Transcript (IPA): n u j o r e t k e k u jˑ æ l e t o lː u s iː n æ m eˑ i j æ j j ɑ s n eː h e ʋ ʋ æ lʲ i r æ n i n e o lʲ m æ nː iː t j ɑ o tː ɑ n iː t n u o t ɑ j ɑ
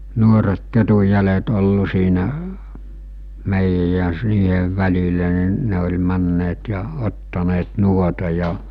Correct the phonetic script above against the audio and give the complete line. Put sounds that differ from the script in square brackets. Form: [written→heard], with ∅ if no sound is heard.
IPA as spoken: n u [j→∅] o r e t k e [k→t] u jˑ æ l e t o lː u s iː n æ m eˑ i j æ j j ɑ s n [eː→iː] h e ʋ ʋ æ lʲ i [r→l] æ n i n e o lʲ m æ nː [iː→eː] t j ɑ o tː ɑ n [iː→eː] t n u o t ɑ j ɑ